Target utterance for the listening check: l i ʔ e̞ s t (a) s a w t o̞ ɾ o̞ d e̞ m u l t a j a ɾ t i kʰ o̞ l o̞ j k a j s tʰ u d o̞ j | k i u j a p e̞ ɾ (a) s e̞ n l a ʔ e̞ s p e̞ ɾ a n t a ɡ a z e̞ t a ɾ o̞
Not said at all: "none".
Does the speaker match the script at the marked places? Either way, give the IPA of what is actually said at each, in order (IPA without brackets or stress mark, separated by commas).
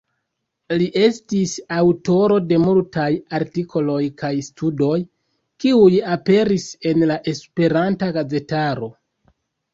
i, i